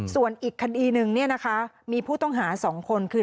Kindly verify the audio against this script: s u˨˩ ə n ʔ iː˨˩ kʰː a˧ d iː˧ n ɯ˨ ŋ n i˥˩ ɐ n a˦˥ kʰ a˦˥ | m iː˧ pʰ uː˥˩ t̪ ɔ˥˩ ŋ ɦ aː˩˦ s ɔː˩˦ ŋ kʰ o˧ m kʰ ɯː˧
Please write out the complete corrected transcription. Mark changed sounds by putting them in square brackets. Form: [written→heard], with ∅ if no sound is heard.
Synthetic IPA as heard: s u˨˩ ə n ʔ iː˨˩ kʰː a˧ d iː˧ n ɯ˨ ŋ n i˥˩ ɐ n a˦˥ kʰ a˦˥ | m iː˧ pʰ uː˥˩ t̪ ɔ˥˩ ŋ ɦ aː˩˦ s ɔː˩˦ ŋ kʰ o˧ [m→n] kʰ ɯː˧